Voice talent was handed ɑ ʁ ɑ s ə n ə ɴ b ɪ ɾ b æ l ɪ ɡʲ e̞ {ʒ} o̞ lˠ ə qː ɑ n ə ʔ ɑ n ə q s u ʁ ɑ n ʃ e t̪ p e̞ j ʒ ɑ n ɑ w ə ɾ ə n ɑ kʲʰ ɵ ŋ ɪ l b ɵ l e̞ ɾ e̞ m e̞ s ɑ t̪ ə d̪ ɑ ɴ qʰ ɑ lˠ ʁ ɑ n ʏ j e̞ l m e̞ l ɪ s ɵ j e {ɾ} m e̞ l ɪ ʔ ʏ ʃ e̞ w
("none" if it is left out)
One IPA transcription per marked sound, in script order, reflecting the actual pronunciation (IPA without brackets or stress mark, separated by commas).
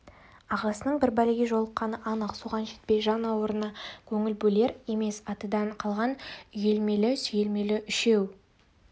ʒ, l